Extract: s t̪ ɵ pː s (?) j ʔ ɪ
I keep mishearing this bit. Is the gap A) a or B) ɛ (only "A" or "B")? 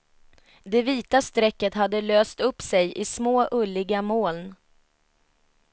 B